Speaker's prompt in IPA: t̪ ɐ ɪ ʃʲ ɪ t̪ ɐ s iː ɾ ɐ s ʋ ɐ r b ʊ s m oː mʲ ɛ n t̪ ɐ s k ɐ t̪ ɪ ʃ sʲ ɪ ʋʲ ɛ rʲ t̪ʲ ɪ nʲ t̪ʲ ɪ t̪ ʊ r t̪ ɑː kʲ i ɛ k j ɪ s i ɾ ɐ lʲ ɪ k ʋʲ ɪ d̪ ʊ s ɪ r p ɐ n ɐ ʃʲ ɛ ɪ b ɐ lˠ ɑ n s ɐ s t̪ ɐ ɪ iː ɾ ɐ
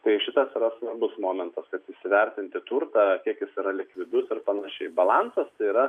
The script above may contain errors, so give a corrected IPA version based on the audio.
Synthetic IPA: t̪ ɐ ɪ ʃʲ ɪ t̪ ɐ s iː ɾ ɐ s ʋ ɐ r b ʊ s m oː mʲ ɛ n t̪ ɐ s k ɐ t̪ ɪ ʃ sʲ ɪ ʋʲ ɛ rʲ t̪ʲ ɪ nʲ t̪ʲ ɪ t̪ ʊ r t̪ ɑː kʲ i ɛ k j ɪ s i ɾ ɐ lʲ ɪ k ʋʲ ɪ d̪ ʊ s ɪ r p ɐ n ɐ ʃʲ ɛ ɪ b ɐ lˠ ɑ n s ɐ s t̪ ɐ ɪ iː ɾ ɐ